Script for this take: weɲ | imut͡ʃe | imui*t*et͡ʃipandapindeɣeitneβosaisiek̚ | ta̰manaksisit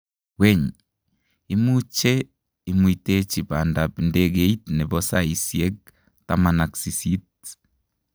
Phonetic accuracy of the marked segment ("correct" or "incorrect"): correct